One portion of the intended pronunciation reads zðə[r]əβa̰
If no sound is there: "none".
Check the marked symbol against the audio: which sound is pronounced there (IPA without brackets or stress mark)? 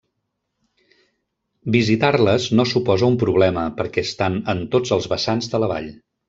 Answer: l